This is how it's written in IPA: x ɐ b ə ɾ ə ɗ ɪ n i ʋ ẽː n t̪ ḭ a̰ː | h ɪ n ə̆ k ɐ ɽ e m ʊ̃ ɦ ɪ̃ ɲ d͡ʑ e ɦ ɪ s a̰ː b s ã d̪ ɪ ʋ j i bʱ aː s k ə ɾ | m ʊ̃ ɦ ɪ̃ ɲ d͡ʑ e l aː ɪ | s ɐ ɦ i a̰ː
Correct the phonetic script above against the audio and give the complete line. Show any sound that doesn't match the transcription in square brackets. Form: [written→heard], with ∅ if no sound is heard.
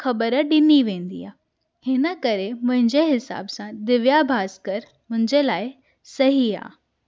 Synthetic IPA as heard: x ɐ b ə ɾ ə ɗ ɪ n i ʋ ẽː n [t̪→d̪] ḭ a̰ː | h ɪ n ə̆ k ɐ [ɽ→ɾ] e m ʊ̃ ɦ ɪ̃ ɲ d͡ʑ e ɦ ɪ s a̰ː b s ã d̪ ɪ ʋ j [i→a] bʱ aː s k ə ɾ | m ʊ̃ ɦ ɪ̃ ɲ d͡ʑ e l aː ɪ | s ɐ ɦ i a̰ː